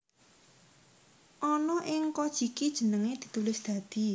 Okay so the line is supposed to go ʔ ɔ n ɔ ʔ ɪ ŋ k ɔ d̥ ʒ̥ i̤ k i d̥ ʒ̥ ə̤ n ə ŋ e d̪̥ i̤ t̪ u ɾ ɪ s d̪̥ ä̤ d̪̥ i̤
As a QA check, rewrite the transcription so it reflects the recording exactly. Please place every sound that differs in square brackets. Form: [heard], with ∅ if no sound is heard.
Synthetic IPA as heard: ʔ ɔ n ɔ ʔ ɪ ŋ k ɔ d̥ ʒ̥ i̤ k i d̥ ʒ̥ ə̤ n ə ŋ e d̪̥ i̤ t̪ u [l] ɪ s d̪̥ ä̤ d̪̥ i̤